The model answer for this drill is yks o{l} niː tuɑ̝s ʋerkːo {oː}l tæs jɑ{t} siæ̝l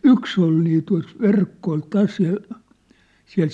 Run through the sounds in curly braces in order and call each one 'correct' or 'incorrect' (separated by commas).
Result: correct, incorrect, incorrect